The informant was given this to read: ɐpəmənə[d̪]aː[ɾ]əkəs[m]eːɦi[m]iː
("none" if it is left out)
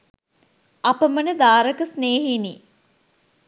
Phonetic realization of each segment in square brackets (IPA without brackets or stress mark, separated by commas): d̪, ɾ, n, n